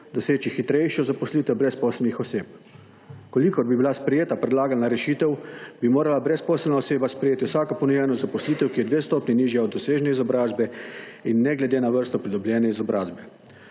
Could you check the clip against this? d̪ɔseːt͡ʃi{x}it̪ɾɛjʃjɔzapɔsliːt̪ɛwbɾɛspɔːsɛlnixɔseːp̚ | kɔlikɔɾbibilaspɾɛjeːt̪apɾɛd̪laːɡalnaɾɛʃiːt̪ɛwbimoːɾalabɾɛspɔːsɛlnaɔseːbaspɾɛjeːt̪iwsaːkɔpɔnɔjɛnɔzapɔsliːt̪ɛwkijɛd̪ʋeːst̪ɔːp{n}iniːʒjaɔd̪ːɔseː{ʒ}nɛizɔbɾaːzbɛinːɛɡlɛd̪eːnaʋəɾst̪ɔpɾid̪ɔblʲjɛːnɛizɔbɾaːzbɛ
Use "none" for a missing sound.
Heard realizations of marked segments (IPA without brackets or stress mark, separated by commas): x, n, ʒ